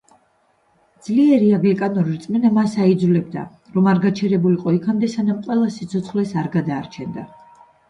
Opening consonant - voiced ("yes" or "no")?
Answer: yes